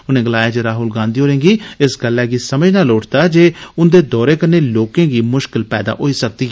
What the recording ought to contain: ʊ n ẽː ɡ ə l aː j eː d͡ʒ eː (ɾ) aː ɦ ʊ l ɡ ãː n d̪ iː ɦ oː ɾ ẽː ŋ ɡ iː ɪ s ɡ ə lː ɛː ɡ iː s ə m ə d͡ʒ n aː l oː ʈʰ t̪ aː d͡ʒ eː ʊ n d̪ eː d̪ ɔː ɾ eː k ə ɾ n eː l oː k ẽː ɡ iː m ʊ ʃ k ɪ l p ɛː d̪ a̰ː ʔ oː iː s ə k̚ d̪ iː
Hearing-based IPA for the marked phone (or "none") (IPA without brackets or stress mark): ɾ